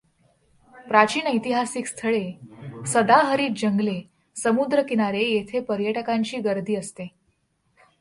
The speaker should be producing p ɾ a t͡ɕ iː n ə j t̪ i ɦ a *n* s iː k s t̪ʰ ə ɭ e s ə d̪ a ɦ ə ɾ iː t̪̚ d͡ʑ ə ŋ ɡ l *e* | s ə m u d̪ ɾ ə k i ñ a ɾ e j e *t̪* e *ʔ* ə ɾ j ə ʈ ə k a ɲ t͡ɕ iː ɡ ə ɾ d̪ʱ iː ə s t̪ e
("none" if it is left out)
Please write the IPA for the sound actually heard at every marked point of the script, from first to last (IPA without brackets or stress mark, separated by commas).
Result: none, e, t̪ʰ, p